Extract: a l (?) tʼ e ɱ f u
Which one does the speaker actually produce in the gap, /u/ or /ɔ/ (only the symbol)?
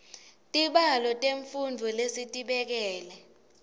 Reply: ɔ